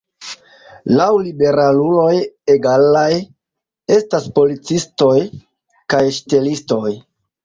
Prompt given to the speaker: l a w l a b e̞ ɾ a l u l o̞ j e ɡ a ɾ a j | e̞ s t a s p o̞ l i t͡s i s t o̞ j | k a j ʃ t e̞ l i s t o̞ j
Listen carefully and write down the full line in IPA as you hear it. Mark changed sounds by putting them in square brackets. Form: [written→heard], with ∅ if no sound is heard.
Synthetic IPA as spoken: l a w l [a→i] b e̞ ɾ a l u l o̞ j e ɡ a [ɾ→l] a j | e̞ s t a s p o̞ l i t͡s i s t o̞ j | k a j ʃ t e̞ l i s t o̞ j